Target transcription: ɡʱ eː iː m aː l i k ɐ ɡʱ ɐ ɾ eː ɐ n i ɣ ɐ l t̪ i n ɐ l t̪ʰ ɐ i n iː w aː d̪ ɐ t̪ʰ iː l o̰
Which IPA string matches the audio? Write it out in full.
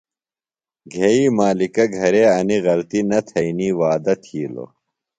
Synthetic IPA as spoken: ɡʱ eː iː m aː l i k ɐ ɡʱ ɐ ɾ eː ɐ n i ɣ ɐ l t̪ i n ɐ t̪ʰ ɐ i n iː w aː d̪ ɐ t̪ʰ iː l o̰